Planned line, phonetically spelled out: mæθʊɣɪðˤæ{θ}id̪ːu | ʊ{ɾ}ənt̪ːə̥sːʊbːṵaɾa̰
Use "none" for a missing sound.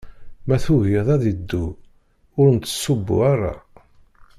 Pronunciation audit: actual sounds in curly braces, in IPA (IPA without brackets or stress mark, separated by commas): ð, ɾ